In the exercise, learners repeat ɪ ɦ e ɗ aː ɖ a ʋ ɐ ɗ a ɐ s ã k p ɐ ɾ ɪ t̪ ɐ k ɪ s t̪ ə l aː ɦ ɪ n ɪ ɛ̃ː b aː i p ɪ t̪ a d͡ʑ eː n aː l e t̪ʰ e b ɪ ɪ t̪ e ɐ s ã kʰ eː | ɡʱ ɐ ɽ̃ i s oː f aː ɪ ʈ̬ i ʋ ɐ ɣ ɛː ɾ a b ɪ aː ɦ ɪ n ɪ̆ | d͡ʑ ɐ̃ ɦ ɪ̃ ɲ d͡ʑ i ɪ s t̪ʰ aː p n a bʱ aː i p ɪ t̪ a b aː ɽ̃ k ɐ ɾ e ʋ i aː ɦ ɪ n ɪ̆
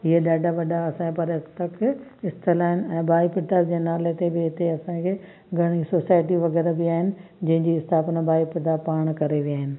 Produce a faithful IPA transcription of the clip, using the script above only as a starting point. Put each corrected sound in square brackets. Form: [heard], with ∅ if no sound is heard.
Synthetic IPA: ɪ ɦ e ɗ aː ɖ a ʋ ɐ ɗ a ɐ s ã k p ɐ ɾ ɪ t̪ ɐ k ɪ s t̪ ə l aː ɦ ɪ n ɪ ɛ̃ː b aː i p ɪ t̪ a d͡ʑ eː n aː l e [t̪] e b ɪ ɪ t̪ e ɐ s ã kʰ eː | ɡʱ ɐ ɽ̃ i s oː [s] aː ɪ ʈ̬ i ʋ ɐ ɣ ɛː ɾ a b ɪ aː ɦ ɪ n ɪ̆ | d͡ʑ ɐ̃ ɦ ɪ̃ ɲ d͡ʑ i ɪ s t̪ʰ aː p n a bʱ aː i p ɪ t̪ a [p] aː ɽ̃ k ɐ ɾ e ʋ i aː ɦ ɪ n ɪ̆